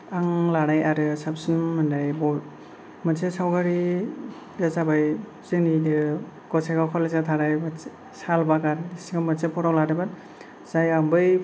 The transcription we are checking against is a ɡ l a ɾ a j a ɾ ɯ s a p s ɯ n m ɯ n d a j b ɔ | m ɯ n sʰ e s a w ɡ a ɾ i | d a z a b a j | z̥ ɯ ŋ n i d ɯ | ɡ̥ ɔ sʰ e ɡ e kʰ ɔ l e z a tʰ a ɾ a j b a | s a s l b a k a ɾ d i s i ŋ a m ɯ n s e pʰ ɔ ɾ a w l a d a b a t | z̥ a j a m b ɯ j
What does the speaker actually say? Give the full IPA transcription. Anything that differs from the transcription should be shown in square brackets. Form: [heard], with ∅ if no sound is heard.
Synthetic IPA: a [ŋ] l a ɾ a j a ɾ ɯ s a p s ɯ n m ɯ n d a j b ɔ | m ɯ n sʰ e s a w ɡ a ɾ i | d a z a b a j | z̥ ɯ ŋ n i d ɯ | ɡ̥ ɔ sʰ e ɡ [a] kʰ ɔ l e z a tʰ a ɾ a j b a | s a [∅] l b a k a ɾ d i s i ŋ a m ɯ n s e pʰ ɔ ɾ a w l a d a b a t | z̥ a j a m b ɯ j